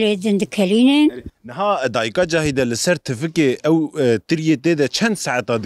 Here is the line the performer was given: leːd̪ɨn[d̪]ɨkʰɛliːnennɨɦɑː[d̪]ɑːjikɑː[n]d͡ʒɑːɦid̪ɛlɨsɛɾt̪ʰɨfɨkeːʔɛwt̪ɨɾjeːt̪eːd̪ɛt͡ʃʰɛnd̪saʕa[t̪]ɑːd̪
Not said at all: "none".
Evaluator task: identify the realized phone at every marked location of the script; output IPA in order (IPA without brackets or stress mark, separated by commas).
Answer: d̪, d̪, none, t̪